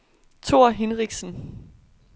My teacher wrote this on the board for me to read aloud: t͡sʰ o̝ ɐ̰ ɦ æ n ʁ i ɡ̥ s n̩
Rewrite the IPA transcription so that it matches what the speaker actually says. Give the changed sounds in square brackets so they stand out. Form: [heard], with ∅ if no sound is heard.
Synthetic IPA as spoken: t͡sʰ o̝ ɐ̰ ɦ [e] n ʁ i ɡ̥ s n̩